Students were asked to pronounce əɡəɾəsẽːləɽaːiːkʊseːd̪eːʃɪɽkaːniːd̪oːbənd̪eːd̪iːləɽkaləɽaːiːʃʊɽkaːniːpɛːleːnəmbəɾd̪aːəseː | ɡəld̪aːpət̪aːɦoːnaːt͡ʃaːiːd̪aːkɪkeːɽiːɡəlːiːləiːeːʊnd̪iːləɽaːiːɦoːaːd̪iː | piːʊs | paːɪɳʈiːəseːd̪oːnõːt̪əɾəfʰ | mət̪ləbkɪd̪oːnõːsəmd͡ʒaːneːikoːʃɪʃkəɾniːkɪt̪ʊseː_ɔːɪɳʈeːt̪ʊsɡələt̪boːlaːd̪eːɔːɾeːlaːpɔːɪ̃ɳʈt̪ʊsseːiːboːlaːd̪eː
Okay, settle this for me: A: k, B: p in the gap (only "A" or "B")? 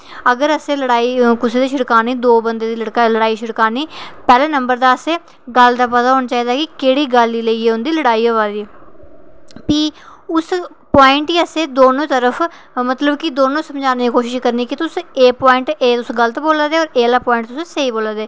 B